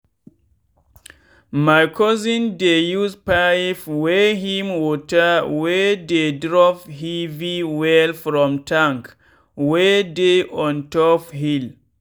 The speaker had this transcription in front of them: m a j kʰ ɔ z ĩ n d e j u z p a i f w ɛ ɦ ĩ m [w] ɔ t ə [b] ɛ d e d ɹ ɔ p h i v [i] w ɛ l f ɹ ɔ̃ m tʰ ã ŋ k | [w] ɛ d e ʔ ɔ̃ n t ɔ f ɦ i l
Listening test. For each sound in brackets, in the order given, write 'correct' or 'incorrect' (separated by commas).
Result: correct, incorrect, correct, correct